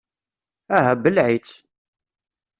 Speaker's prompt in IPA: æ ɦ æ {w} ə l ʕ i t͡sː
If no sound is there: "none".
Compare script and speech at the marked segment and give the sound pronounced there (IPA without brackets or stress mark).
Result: b